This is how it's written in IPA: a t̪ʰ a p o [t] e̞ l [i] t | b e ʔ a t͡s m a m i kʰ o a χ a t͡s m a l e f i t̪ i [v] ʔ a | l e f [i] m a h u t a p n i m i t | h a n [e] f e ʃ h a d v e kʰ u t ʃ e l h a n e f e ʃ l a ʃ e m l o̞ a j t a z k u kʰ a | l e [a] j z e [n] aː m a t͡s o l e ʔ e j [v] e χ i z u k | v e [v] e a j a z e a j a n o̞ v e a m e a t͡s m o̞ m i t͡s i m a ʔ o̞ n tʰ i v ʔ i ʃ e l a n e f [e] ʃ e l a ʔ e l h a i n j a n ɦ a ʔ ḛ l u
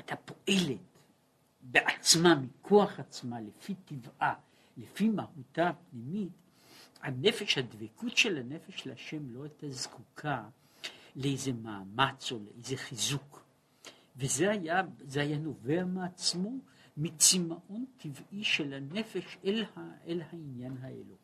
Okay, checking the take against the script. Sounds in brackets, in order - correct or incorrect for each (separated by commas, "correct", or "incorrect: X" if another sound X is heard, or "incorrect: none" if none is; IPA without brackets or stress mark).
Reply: incorrect: ʔ, incorrect: e, correct, correct, correct, incorrect: e, incorrect: m, incorrect: z, incorrect: z, correct